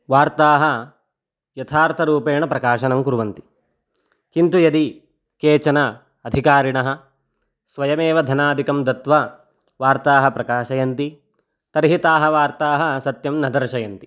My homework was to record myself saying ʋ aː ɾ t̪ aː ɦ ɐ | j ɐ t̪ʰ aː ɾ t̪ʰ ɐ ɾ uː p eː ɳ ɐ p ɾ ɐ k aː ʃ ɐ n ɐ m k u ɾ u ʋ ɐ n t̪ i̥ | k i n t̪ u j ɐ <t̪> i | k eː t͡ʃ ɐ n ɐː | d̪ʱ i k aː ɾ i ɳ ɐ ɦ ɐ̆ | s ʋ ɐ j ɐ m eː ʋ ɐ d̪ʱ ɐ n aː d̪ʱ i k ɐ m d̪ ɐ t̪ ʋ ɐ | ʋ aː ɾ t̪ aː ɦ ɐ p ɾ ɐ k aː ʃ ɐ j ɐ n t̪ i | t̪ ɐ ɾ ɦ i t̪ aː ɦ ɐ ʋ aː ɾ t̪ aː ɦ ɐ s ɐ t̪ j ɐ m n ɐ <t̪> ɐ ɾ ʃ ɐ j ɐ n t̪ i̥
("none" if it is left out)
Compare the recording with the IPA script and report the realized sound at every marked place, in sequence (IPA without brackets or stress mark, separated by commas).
d̪, d̪